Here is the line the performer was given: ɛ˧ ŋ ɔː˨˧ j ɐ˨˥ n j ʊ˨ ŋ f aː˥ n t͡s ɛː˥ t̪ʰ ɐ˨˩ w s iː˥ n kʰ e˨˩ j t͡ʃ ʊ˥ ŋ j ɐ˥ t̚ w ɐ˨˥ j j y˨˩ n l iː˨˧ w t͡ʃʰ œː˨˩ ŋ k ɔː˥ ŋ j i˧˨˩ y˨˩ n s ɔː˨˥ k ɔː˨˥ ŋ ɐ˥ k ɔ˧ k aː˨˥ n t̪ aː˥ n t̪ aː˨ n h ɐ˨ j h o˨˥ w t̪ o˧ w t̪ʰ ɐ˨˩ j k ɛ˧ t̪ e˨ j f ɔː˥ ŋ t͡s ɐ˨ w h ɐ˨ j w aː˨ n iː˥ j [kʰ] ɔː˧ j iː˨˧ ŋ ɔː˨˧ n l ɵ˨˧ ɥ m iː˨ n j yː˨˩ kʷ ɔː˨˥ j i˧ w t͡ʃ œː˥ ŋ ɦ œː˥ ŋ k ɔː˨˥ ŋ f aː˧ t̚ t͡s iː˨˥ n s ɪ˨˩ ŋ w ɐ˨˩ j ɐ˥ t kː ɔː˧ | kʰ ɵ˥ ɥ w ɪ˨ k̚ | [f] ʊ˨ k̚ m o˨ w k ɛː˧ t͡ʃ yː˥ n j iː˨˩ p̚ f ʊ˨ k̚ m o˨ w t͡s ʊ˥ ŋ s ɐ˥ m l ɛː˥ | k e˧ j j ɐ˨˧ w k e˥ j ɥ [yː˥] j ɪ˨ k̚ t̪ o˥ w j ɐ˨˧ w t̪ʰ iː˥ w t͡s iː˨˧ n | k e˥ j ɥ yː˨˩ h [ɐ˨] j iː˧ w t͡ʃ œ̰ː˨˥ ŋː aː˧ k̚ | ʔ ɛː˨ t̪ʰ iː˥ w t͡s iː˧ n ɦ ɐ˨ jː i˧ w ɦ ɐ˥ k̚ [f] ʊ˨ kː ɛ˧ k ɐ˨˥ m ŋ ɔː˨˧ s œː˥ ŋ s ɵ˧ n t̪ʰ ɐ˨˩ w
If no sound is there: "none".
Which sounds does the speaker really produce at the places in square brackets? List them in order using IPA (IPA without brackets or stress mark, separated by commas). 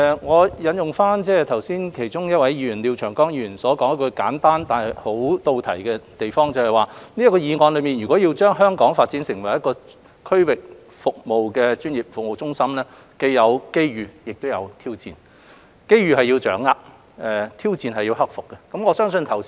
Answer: k, f, yː˨, ɐ˨, f